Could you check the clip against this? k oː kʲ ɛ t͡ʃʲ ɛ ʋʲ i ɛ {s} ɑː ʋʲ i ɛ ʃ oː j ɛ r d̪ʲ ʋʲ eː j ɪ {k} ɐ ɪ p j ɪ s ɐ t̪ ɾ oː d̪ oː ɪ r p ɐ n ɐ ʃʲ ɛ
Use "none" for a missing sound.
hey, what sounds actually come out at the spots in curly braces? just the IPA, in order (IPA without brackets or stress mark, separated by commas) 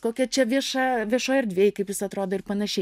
ʃ, k